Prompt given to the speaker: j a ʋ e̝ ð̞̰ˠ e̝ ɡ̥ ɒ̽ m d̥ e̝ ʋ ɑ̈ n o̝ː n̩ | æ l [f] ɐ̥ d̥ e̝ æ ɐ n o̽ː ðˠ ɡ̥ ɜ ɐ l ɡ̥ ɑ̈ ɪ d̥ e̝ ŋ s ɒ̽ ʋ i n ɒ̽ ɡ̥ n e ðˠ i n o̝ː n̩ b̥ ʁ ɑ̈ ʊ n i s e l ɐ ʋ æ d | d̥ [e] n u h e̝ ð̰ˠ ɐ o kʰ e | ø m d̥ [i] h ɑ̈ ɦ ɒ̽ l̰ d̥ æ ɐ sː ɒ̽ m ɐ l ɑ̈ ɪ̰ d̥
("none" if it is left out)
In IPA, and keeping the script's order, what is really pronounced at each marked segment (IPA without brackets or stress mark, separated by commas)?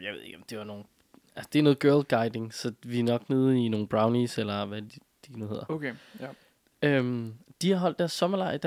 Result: s, i, i